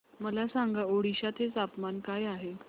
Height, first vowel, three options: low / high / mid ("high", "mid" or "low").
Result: mid